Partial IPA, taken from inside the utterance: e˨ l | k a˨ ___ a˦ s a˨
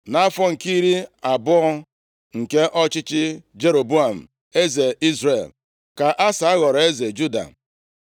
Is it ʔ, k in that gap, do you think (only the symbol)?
ʔ